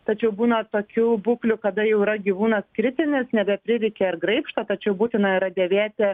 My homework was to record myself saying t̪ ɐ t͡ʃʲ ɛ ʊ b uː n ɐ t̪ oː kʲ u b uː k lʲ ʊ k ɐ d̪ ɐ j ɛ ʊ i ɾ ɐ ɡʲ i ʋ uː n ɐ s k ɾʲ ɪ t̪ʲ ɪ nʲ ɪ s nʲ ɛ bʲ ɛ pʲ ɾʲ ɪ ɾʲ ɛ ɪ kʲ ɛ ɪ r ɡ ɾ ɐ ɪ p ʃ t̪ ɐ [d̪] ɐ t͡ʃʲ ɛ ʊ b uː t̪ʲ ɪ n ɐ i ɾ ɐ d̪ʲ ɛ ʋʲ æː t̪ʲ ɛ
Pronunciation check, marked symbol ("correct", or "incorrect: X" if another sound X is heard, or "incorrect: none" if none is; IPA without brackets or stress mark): incorrect: t̪